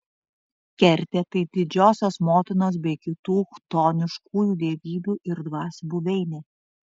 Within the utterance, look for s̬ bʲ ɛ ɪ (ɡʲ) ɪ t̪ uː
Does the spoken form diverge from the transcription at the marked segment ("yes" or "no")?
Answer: yes